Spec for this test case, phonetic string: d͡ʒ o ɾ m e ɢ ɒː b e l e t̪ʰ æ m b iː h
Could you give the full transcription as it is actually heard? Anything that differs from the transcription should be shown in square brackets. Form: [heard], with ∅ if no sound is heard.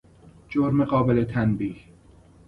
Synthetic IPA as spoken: d͡ʒ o ɾ m e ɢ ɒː b e l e t̪ʰ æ [n] b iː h